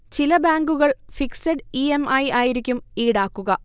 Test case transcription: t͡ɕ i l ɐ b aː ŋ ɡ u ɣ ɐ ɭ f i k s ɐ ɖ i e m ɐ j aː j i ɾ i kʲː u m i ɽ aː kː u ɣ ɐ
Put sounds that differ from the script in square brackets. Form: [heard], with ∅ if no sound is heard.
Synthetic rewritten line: t͡ɕ i l ɐ b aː ŋ ɡ u ɣ ɐ ɭ f i k s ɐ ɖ i e m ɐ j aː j i ɾ i kʲː u m [iː] ɽ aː kː u ɣ ɐ

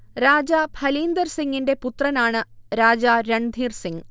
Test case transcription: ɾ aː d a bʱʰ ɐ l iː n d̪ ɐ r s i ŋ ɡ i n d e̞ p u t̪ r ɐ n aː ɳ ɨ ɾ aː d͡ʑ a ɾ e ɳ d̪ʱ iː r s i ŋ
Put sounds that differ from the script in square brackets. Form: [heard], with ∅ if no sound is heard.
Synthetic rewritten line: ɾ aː [d͡ʑ] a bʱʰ ɐ l iː n d̪ ɐ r s i ŋ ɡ i n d e̞ p u t̪ r ɐ n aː ɳ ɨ ɾ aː d͡ʑ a ɾ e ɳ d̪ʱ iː r s i ŋ

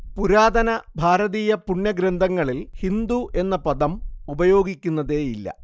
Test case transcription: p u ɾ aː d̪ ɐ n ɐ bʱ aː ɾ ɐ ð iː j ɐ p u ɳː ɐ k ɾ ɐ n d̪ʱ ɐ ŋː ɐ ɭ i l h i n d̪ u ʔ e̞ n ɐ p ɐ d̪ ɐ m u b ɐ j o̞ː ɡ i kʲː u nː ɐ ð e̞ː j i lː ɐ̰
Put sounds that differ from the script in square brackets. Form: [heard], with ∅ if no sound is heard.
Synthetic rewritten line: p u ɾ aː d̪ ɐ n ɐ bʱ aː ɾ ɐ ð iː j ɐ p u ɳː ɐ [ɡ] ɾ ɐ n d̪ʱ ɐ ŋː ɐ ɭ i l h i n d̪ u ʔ e̞ [nː] ɐ p ɐ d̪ ɐ m u b ɐ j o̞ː ɡ i kʲː u nː ɐ ð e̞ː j i lː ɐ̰

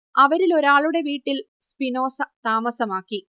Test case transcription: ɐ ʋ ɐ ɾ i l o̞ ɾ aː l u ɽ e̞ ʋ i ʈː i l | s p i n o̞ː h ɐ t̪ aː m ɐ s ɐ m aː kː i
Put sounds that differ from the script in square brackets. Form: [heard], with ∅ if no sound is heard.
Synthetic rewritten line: ɐ ʋ ɐ ɾ i l o̞ ɾ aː [ɭ] u ɽ e̞ ʋ [iː] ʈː i l | s p i n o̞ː [s] ɐ t̪ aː m ɐ s ɐ m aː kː i

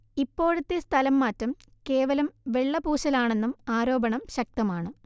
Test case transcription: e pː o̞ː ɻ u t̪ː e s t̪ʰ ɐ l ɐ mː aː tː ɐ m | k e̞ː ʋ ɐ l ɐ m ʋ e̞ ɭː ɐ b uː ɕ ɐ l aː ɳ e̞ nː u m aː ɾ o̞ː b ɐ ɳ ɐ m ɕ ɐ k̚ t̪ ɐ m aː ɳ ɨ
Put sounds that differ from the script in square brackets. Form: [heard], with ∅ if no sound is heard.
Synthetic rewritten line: [i] pː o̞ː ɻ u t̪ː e s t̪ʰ ɐ l ɐ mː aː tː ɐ m | k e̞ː ʋ ɐ l ɐ m ʋ e̞ ɭː ɐ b uː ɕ ɐ l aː ɳ e̞ nː u m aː ɾ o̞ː b ɐ ɳ ɐ m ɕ ɐ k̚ t̪ ɐ m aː ɳ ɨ

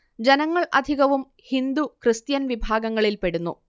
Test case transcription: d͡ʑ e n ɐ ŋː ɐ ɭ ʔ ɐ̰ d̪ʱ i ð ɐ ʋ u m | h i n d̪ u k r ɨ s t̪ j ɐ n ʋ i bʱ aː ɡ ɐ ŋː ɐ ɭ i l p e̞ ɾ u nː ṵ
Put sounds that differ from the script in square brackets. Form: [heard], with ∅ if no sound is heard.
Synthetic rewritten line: d͡ʑ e n ɐ ŋː ɐ ɭ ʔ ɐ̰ d̪ʱ i [ɣ] ɐ ʋ u m | h i n d̪ u k r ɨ s t̪ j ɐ n ʋ i bʱ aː ɡ ɐ ŋː ɐ ɭ i l p e̞ [ɽ] u nː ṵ

